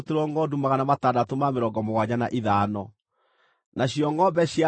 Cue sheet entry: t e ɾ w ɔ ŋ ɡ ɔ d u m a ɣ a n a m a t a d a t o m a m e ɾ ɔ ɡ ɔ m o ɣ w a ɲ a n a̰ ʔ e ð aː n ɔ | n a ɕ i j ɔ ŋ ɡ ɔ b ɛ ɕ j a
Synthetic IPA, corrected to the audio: t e ɾ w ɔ ŋ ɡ ɔ d u m a ɣ a n a m a t a d a t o m a m e ɾ ɔ ɡ ɔ m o ɣ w a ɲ a n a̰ ʔ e ð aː n ɔ | n a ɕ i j ɔ ŋ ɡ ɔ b ɛ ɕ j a